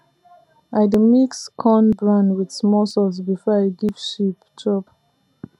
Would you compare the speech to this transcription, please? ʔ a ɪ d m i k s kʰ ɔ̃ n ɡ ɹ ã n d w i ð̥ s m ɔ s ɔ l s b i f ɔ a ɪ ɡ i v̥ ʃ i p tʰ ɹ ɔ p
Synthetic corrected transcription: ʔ a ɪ d m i k s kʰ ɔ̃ n b ɹ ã n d w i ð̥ s m ɔ s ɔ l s b i f ɔ a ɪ ɡ i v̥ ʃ i p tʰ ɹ ɔ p